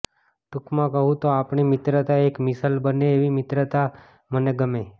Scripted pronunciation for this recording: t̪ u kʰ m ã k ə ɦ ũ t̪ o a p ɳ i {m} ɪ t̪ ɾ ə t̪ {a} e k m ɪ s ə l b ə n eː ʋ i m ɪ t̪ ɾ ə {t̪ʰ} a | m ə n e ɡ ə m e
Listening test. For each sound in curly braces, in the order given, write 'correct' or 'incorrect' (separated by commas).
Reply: correct, correct, incorrect